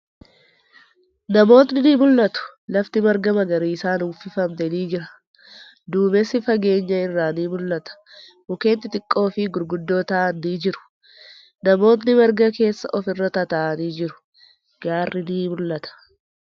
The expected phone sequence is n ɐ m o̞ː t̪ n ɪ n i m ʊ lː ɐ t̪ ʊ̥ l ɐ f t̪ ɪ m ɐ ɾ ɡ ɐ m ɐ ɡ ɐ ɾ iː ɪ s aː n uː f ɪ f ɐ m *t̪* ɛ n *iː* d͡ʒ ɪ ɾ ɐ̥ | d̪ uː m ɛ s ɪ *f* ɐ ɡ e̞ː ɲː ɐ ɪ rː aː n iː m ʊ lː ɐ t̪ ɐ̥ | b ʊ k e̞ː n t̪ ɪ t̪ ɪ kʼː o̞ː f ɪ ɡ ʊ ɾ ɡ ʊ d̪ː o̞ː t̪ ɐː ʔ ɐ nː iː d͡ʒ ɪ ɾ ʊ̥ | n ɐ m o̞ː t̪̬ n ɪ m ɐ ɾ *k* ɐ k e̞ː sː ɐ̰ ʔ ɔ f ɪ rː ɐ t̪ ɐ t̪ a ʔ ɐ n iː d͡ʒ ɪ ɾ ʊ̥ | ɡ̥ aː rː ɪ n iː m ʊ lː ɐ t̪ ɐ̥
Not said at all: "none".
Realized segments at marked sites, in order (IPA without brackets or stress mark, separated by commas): t̪, iː, f, ɡ